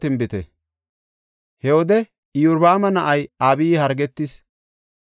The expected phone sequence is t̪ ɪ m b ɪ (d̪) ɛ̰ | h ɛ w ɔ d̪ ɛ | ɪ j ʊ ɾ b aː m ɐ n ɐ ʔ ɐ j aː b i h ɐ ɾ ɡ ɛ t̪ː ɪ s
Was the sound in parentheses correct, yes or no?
no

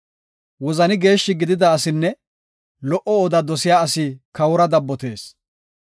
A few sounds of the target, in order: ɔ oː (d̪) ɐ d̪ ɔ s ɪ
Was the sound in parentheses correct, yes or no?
yes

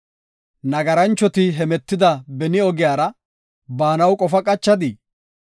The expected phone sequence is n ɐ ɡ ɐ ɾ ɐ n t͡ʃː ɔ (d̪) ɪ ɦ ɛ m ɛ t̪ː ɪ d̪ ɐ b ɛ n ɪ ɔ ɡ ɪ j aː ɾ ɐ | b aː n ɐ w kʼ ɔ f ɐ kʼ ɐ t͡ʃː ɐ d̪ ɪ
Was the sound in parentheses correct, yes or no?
no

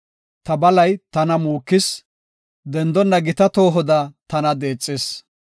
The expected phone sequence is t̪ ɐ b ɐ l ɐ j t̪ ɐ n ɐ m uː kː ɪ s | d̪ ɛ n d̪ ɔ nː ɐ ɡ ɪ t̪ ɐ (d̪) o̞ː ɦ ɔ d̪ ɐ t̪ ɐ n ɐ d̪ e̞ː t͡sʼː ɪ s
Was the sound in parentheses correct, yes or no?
no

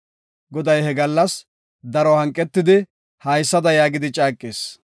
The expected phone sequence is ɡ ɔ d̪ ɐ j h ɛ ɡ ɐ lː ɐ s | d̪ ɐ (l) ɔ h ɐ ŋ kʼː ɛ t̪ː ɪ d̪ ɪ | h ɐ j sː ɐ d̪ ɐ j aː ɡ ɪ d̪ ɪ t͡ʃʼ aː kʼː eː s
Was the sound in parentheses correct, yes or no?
no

